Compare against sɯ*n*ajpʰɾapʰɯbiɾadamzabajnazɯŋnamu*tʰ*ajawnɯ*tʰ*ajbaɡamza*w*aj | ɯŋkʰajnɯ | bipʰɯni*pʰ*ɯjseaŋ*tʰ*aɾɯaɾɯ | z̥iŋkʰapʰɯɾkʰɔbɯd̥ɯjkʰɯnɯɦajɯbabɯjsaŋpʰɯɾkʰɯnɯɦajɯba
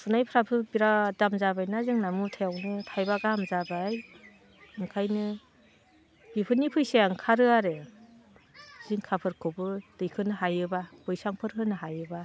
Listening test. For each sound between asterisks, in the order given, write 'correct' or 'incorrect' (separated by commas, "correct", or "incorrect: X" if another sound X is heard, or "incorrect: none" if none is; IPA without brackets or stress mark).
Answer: correct, correct, correct, incorrect: b, correct, incorrect: kʰ